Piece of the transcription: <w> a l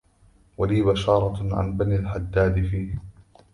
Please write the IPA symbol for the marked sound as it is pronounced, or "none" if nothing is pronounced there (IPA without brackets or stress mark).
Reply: w